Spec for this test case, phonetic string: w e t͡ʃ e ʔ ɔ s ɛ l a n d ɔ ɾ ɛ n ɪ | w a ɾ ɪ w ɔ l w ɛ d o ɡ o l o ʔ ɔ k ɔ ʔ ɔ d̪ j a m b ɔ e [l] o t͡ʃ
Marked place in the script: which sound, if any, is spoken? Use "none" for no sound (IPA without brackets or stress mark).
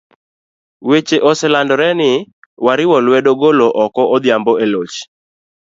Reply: l